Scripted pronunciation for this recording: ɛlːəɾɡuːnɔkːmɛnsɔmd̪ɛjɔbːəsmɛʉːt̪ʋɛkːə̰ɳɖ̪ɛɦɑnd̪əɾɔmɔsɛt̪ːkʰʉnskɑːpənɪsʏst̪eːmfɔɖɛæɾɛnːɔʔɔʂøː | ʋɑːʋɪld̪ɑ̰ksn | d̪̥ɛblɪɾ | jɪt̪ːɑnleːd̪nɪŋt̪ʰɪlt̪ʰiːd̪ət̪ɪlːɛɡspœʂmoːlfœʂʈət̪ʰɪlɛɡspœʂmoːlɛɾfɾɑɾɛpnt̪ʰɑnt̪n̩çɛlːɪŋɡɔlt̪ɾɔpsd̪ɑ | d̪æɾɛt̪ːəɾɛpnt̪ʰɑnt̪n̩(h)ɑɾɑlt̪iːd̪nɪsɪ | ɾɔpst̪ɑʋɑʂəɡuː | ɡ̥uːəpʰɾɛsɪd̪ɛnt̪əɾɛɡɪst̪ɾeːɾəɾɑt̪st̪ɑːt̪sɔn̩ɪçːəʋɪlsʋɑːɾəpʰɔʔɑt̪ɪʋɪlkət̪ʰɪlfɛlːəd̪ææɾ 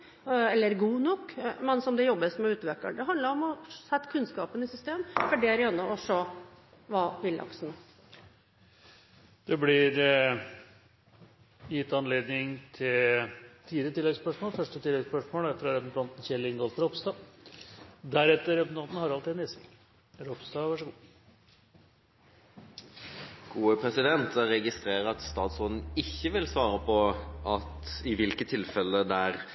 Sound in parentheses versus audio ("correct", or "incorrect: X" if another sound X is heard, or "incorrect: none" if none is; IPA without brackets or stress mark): correct